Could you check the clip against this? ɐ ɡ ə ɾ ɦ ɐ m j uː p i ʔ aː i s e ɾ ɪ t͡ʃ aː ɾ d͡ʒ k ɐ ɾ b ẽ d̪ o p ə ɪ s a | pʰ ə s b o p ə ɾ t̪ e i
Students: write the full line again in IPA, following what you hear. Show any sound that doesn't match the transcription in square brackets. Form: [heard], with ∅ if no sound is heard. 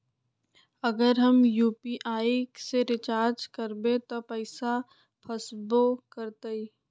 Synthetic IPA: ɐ ɡ ə ɾ ɦ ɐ m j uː p i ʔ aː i s e ɾ ɪ t͡ʃ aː ɾ d͡ʒ k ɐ ɾ b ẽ [t̪] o p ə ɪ s a | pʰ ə s b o [k] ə ɾ t̪ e i